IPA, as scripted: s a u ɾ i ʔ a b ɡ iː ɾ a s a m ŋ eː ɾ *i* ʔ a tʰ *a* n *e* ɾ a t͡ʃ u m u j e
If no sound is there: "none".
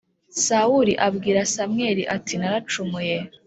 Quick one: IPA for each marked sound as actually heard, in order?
i, i, a

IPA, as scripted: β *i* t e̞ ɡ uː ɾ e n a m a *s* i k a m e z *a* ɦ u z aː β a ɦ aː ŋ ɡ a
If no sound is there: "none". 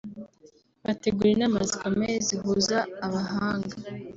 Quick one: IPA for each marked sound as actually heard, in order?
a, z, i

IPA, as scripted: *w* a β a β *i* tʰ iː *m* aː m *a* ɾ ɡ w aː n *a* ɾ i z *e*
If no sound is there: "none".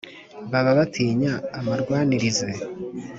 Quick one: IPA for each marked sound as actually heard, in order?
β, a, ɲ, a, i, e

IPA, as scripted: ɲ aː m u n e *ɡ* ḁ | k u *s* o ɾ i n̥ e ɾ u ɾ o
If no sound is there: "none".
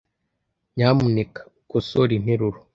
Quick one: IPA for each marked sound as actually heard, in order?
k, s

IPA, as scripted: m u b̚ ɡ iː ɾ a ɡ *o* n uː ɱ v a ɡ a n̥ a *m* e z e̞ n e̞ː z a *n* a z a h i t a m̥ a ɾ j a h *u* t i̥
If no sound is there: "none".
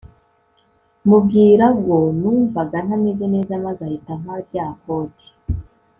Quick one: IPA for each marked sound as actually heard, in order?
o, m, m, o

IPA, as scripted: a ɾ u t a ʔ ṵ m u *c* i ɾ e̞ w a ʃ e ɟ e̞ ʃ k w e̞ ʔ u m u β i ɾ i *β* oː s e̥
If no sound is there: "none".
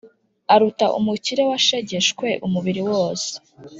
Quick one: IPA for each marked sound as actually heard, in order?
c, w

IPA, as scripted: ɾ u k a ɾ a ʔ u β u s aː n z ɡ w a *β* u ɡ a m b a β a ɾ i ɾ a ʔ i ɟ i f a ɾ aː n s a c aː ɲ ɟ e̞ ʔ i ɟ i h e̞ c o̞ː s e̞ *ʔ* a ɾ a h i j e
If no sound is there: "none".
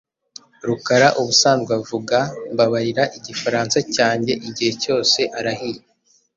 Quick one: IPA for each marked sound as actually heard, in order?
v, ʔ

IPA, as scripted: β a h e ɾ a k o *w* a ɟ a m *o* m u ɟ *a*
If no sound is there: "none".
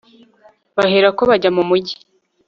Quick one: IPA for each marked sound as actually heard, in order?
β, u, i

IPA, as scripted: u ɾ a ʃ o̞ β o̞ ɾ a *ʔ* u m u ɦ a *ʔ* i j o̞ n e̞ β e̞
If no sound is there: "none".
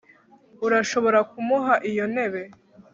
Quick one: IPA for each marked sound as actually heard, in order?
k, ʔ

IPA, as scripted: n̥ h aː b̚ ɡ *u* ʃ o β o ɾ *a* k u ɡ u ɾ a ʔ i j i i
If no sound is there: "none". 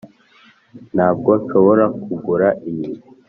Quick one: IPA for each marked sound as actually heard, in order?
o, a

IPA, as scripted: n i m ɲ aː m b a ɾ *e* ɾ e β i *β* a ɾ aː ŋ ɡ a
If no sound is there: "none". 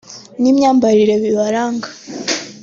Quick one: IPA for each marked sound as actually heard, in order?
i, β

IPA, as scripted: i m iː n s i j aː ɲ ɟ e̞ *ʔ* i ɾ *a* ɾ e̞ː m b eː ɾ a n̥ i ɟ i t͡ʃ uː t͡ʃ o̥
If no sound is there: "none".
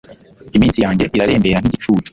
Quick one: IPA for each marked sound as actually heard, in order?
ʔ, a

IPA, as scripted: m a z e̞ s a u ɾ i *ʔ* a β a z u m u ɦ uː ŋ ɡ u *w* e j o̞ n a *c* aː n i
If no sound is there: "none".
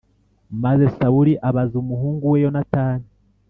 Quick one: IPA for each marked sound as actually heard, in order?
ʔ, w, t

